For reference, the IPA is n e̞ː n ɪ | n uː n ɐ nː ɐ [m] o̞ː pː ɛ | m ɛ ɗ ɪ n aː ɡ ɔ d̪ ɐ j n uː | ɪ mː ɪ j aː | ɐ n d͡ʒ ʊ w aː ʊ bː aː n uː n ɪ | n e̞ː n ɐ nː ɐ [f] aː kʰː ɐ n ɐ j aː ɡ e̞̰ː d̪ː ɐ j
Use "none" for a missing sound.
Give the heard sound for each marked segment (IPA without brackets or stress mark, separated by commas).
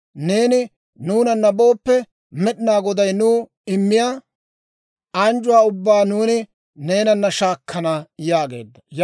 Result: b, ʃ